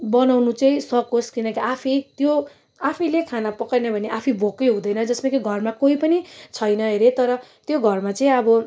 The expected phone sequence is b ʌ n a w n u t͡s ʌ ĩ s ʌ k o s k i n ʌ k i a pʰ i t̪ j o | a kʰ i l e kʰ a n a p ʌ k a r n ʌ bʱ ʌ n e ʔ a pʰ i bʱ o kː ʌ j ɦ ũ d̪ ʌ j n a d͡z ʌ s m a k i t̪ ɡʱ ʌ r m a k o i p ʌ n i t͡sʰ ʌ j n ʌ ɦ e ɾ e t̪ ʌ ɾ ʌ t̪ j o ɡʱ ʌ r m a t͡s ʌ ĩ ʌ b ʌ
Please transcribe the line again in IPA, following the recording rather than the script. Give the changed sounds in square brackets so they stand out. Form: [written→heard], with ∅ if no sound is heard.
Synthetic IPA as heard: b ʌ n a w n u t͡s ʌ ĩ s ʌ k o s k i n ʌ k i a pʰ i t̪ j o | a [kʰ→pʰ] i l e kʰ a n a p ʌ k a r n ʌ bʱ ʌ n e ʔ a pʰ i bʱ o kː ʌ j ɦ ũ d̪ ʌ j n [a→ʌ] d͡z ʌ s m a k i [t̪→∅] ɡʱ ʌ r m a k o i p ʌ n i t͡sʰ ʌ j n ʌ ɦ e ɾ e t̪ ʌ ɾ ʌ t̪ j o ɡʱ ʌ r m a t͡s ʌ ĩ ʌ b ʌ